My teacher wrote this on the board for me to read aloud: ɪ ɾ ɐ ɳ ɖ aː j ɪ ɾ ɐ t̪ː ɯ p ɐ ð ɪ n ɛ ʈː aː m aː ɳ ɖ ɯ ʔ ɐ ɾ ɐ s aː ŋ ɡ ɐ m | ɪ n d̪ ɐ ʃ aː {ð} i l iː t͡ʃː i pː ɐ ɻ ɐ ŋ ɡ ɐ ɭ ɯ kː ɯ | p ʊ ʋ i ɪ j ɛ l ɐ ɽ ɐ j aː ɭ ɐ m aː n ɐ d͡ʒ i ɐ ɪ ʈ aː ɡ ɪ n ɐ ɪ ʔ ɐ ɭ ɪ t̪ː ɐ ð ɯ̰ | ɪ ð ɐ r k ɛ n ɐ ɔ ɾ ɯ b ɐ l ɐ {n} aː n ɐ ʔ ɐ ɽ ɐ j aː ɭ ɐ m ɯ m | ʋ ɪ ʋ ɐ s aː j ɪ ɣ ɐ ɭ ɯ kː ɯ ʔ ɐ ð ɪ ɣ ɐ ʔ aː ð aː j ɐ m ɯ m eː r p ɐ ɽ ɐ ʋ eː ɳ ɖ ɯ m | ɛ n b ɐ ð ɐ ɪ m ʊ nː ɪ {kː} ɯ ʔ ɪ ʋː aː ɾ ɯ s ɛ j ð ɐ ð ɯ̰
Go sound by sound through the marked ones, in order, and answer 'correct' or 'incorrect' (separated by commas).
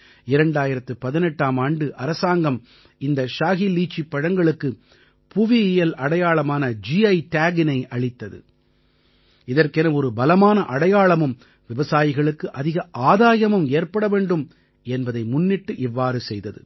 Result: incorrect, incorrect, incorrect